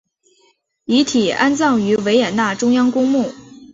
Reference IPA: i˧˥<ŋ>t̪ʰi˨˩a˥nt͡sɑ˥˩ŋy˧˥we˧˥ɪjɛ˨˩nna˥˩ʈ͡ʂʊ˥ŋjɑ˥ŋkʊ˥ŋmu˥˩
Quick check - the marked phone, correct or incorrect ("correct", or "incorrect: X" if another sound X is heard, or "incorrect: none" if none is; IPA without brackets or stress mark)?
incorrect: none